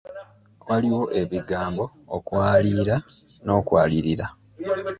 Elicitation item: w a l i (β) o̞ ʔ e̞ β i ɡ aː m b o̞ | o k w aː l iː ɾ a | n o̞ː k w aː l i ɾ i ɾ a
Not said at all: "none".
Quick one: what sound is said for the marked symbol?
w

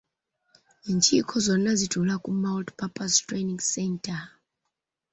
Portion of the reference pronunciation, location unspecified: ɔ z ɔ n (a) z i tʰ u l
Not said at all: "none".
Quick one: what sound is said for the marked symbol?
a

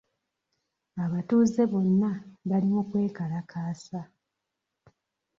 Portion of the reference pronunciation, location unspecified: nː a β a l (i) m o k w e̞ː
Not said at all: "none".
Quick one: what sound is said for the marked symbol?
i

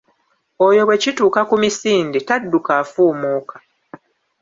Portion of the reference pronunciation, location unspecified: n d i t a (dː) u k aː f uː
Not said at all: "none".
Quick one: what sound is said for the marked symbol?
dː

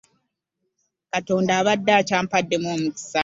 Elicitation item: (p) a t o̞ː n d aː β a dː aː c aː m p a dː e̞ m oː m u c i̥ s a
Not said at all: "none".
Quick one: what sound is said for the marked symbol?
k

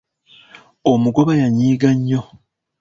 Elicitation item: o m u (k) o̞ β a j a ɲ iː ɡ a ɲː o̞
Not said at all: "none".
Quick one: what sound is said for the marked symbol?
ɡ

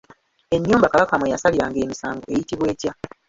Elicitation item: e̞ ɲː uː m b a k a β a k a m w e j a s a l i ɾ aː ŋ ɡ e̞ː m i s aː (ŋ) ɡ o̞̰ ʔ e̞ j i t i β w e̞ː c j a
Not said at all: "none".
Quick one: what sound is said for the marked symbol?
ŋ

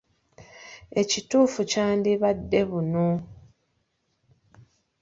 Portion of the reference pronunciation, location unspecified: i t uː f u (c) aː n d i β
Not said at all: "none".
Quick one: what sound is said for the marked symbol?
c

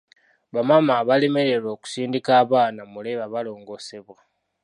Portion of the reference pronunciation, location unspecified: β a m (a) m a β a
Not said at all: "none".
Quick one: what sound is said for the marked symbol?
a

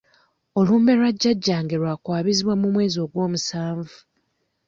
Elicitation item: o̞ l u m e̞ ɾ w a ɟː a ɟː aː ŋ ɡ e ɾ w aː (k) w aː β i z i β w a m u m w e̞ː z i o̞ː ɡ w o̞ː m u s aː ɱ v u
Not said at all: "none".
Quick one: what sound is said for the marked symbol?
k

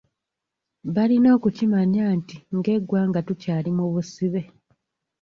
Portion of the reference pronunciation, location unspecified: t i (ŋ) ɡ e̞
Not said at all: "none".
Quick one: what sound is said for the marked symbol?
ŋ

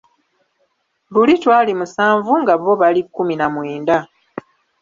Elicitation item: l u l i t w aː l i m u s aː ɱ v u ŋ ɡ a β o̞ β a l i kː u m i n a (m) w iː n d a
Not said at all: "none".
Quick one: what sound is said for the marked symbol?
m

